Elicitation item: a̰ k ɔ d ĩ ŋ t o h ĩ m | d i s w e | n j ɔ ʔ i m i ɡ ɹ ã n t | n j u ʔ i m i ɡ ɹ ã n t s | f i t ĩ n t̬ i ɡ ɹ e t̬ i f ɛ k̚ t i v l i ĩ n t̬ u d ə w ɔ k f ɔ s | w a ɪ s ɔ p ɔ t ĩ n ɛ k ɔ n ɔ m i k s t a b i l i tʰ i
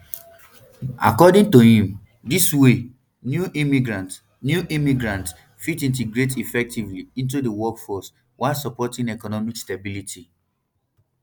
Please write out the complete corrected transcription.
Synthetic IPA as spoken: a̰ k ɔ d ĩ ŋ t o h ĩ m | d i s w e | n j u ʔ i m i ɡ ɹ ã n t | n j u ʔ i m i ɡ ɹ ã n t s | f i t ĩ n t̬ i ɡ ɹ e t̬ i f ɛ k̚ t i v l i ĩ n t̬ u d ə w ɔ k f ɔ s | w a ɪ s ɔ p ɔ t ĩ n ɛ k ɔ n ɔ m i k s t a b i l i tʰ i